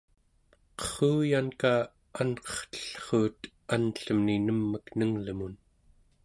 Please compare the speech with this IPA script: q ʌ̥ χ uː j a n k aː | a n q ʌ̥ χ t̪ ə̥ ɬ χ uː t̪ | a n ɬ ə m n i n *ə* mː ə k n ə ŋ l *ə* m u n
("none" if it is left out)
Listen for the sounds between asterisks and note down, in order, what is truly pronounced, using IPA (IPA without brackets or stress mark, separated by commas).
ə, ə